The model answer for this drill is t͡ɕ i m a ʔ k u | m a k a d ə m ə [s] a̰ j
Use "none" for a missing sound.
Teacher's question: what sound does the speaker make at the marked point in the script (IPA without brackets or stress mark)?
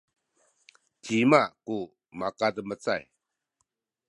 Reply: t͡s